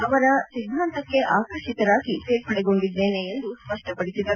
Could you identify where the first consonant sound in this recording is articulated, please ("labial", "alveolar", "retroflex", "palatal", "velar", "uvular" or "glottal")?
labial